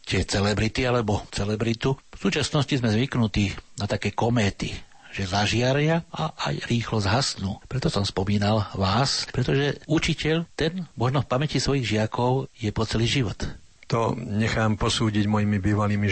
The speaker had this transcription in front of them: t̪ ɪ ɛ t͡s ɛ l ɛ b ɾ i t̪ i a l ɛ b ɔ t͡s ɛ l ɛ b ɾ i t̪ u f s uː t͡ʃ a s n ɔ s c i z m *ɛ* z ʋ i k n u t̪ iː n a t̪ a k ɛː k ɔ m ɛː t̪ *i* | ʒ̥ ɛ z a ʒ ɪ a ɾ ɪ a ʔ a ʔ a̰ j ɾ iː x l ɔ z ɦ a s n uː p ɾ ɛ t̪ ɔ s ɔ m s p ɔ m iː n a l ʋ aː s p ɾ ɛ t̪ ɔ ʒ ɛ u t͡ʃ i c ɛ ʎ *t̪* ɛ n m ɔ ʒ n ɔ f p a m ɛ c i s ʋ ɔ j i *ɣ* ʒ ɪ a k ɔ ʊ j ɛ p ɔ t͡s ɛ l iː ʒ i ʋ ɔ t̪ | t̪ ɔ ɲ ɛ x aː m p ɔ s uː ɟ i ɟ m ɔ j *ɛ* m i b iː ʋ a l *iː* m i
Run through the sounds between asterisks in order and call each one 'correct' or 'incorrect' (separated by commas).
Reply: correct, correct, correct, correct, incorrect, correct